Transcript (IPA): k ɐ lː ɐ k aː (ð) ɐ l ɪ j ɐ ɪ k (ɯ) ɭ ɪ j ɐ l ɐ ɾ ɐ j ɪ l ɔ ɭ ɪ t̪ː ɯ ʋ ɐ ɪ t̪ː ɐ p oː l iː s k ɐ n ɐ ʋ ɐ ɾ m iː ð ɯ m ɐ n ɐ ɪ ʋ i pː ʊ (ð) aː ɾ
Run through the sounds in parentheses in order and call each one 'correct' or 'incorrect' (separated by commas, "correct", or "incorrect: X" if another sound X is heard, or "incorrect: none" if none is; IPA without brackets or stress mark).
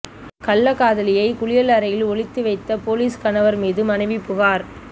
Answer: correct, incorrect: ʊ, incorrect: ɣ